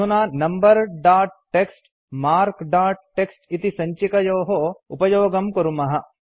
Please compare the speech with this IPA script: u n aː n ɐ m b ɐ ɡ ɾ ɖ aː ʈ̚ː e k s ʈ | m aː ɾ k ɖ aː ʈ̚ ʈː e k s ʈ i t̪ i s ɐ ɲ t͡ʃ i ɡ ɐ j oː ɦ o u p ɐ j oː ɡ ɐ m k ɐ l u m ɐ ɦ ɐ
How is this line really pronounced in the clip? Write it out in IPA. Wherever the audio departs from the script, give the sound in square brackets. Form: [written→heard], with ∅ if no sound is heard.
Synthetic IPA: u n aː n ɐ m b ɐ [ɡ→∅] ɾ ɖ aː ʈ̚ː e k s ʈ | m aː ɾ k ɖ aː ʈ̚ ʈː e k s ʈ i t̪ i s ɐ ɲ t͡ʃ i [ɡ→k] ɐ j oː ɦ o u p ɐ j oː ɡ ɐ m k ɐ [l→ɾ] u m ɐ ɦ ɐ